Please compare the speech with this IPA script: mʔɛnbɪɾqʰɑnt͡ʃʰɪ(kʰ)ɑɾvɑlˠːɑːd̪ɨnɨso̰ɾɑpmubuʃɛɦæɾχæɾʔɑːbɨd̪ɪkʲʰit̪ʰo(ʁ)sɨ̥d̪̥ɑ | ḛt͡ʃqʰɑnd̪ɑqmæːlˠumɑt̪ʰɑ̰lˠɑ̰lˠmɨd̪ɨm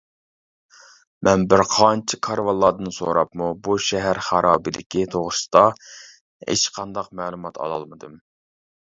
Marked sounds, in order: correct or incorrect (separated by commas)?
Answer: correct, correct